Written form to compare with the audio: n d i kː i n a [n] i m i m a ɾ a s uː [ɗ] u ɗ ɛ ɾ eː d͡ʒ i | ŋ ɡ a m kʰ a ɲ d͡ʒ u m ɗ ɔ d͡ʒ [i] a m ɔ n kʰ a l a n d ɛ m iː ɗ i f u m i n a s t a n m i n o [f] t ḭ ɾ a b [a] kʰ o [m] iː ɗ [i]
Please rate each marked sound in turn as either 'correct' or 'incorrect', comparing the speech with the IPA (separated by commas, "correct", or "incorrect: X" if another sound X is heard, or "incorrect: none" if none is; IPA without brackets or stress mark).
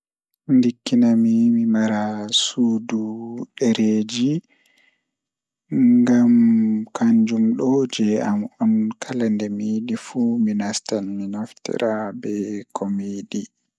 incorrect: m, incorrect: d, incorrect: ɛ, correct, incorrect: ɛ, correct, correct